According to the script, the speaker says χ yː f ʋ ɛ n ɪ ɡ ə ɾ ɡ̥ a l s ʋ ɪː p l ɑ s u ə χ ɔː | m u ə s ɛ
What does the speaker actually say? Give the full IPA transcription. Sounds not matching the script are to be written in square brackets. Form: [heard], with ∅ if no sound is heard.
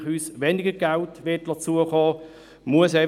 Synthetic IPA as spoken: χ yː [s] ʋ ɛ n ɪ ɡ ə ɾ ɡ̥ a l [t] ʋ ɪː [t] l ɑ [t͡s] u ə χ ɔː | m u ə s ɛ